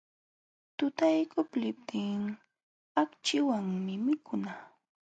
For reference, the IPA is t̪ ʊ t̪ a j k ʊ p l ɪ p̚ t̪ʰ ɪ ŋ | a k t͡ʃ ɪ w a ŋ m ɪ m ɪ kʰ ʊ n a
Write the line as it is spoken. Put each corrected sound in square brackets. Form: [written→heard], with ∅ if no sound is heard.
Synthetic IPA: t̪ ʊ t̪ a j k ʊ p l ɪ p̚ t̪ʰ ɪ ŋ | a k t͡ʃ ɪ w a ŋ m ɪ m ɪ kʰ ʊ n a